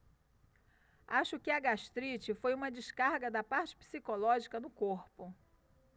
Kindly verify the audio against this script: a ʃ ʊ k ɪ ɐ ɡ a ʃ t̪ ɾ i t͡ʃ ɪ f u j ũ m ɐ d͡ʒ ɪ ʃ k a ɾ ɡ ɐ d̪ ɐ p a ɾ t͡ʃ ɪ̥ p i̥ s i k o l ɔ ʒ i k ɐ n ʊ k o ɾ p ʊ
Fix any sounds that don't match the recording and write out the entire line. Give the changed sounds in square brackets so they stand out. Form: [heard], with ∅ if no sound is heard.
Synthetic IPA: a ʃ ʊ k ɪ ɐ ɡ a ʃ t̪ ɾ i t͡ʃ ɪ f [o] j ũ m ɐ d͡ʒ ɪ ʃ k a ɾ ɡ ɐ d̪ ɐ p a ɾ t͡ʃ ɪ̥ p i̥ s i k o l ɔ ʒ i k ɐ n ʊ k o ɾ p ʊ